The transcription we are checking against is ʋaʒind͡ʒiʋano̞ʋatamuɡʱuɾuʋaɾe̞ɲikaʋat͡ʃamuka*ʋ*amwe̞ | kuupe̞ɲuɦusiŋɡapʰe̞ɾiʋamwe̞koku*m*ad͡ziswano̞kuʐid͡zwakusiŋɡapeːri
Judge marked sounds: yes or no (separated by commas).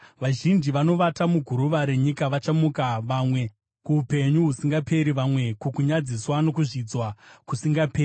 yes, no